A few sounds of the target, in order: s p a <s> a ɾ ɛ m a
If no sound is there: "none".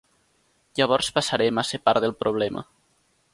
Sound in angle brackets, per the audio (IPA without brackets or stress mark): s